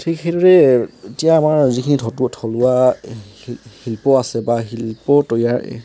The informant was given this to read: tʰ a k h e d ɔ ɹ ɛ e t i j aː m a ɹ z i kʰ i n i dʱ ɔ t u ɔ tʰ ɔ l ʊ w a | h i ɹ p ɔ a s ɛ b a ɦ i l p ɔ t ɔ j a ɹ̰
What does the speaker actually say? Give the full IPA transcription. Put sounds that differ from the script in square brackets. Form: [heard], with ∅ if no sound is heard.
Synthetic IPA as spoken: tʰ [i] k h e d ɔ ɹ ɛ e t i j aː m a ɹ z i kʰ i n i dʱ ɔ t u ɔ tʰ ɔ l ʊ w a | h i [l] p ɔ a s ɛ b a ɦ i l p ɔ t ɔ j a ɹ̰